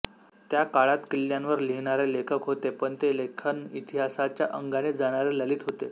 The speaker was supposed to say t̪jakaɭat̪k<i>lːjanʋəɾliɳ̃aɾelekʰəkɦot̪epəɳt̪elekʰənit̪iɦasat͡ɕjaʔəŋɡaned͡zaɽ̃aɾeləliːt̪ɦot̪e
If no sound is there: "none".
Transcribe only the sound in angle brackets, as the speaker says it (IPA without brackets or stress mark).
i